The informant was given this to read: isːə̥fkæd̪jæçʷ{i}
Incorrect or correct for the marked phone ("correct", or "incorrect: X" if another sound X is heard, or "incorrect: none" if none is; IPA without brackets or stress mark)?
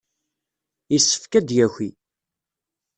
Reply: correct